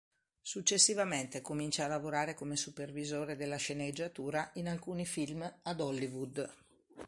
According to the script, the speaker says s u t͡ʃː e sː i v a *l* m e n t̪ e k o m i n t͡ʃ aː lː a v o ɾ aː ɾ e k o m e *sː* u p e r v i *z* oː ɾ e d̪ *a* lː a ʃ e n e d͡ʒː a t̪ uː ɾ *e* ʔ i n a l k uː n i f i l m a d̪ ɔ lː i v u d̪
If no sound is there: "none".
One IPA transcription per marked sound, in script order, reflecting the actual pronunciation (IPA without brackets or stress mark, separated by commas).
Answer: none, s, z, e, a